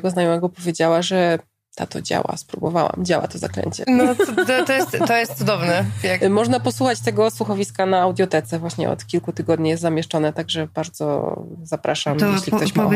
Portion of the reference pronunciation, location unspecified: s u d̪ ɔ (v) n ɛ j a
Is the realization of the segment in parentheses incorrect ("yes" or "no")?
no